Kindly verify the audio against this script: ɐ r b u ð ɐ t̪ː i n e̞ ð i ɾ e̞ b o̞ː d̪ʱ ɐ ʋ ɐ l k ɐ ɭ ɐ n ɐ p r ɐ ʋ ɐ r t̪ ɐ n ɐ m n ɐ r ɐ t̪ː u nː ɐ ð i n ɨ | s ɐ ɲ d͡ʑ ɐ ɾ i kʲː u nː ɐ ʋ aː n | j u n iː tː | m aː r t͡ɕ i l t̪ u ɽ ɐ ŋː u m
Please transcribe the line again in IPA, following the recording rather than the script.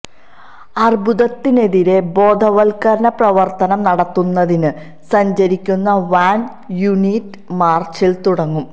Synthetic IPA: ɐ r b u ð ɐ t̪ː i n e̞ ð i ɾ e̞ b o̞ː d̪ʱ ɐ ʋ ɐ l k ɐ ɾ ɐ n ɐ p r ɐ ʋ ɐ r t̪ ɐ n ɐ m n ɐ ɽ ɐ t̪ː u nː ɐ ð i n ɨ | s ɐ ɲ d͡ʑ ɐ ɾ i kʲː u nː ɐ ʋ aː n | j u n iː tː | m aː r t͡ɕ i l t̪ u ɽ ɐ ŋː u m

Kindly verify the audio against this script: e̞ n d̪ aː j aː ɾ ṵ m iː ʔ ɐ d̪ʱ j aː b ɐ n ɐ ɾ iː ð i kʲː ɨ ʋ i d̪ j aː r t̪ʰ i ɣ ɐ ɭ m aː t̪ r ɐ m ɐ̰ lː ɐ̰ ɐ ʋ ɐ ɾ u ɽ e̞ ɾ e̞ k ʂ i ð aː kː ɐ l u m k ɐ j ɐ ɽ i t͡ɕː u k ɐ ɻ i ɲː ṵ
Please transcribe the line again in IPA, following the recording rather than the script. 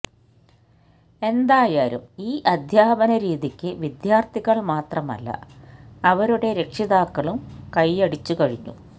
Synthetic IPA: e̞ n d̪ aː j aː ɾ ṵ m iː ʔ ɐ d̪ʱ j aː b ɐ n ɐ ɾ iː ð i kʲː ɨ ʋ i d̪ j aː r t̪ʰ i ɣ ɐ ɭ m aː t̪ r ɐ m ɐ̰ lː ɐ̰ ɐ ʋ ɐ ɾ u ɽ e̞ ɾ e̞ k ʂ i ð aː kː ɐ ɭ u m k ɐ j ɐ ɽ i t͡ɕː u k ɐ ɻ i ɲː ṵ

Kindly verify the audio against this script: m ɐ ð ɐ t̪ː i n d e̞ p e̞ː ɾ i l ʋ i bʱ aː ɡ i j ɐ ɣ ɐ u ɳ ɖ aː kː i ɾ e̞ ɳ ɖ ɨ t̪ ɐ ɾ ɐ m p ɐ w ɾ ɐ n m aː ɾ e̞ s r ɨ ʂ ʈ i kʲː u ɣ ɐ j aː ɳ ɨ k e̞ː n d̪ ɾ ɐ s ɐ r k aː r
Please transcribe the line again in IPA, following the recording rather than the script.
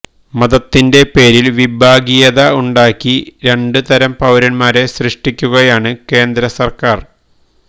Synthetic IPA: m ɐ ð ɐ t̪ː i n d e̞ p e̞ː ɾ i l ʋ i bʱ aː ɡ i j ɐ ð ɐ u ɳ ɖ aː kː i ɾ e̞ ɳ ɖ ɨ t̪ ɐ ɾ ɐ m p ɐ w ɾ ɐ n m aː ɾ e̞ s r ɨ ʂ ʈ i kʲː u ɣ ɐ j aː ɳ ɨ k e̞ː n d̪ ɾ ɐ s ɐ r k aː r

